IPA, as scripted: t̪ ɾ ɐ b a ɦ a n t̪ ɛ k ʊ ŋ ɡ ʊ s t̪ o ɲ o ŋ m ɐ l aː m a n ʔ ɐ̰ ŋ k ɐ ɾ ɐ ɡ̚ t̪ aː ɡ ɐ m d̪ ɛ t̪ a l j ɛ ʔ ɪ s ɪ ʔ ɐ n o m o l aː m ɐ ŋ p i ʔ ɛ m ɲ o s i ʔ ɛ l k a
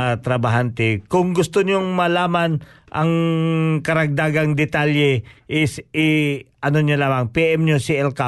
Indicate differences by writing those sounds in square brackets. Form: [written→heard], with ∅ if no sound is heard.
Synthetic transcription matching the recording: t̪ ɾ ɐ b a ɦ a n t̪ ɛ k ʊ ŋ ɡ ʊ s t̪ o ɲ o ŋ m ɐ l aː m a n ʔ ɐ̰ ŋ k ɐ ɾ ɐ ɡ̚ [t̪→d̪] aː ɡ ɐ [m→ŋ] d̪ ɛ t̪ a l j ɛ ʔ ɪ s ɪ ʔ ɐ n o [m→ɲ] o l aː m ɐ ŋ p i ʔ ɛ m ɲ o s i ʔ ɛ l k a